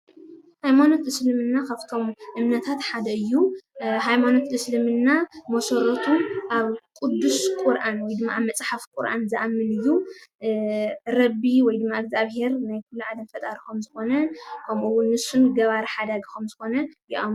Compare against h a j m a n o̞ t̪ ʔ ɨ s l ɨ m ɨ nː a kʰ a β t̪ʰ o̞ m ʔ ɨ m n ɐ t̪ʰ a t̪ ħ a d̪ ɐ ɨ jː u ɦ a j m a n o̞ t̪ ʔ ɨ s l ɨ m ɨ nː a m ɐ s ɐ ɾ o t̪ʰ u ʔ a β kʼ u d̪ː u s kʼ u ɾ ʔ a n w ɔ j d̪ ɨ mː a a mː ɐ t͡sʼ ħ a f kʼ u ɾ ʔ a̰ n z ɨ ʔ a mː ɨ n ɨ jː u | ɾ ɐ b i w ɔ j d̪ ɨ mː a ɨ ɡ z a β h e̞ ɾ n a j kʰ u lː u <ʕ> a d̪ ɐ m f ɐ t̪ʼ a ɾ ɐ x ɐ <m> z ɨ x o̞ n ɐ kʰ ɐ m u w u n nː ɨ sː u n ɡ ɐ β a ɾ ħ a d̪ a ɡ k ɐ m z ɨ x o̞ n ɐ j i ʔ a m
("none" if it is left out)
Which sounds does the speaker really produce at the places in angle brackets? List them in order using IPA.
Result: ʕ, m

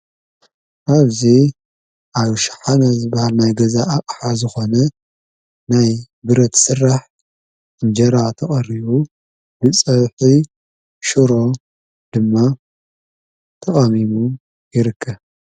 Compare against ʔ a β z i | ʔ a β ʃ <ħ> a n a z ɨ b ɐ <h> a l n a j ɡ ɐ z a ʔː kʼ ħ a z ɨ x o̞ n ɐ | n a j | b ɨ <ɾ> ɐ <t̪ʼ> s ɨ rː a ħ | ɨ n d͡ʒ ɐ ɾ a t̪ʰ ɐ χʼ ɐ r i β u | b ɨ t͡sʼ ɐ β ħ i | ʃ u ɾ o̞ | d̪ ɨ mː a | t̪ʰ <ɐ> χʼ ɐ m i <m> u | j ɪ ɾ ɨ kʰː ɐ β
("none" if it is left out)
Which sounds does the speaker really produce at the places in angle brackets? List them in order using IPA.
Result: ħ, h, ɾ, t̪, ɐ, m

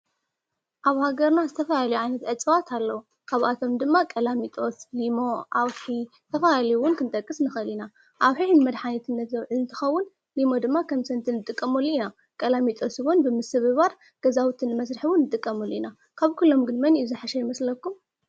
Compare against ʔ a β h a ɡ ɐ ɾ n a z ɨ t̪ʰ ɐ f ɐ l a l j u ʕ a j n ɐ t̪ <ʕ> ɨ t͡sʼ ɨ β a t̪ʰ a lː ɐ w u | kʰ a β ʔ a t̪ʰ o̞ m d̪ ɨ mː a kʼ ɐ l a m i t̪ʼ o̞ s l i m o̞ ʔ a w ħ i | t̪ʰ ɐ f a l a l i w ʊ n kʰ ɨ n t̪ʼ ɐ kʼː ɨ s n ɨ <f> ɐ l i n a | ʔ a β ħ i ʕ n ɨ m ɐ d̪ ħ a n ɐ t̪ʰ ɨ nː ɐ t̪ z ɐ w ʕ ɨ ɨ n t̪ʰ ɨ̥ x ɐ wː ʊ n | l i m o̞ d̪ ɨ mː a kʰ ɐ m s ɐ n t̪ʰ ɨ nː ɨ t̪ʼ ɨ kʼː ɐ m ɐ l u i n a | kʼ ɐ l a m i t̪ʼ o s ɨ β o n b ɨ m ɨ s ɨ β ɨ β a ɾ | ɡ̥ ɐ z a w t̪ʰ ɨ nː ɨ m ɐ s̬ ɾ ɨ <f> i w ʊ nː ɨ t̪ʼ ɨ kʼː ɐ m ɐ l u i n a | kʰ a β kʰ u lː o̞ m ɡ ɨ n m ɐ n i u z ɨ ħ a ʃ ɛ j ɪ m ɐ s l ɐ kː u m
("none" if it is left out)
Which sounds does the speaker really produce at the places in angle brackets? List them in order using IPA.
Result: ʕ, x, ħ

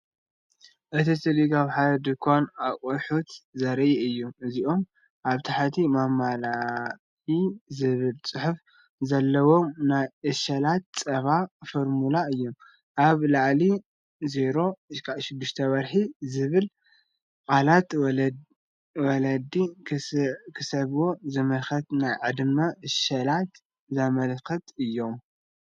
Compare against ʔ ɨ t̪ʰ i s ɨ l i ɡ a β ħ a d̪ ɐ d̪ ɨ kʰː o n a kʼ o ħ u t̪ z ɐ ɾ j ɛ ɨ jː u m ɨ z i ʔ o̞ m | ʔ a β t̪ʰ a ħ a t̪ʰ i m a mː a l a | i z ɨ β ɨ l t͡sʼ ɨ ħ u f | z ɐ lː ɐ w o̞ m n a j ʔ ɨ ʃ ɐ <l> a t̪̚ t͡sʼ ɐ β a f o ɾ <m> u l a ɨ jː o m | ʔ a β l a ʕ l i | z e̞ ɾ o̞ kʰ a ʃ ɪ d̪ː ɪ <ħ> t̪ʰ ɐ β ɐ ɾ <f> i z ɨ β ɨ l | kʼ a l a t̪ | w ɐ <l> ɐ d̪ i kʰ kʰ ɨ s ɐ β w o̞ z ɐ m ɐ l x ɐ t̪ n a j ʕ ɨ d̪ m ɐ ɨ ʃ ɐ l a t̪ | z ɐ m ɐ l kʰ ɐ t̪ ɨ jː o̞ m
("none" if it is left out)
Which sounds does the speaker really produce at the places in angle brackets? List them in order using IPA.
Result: l, m, ʃ, ħ, l

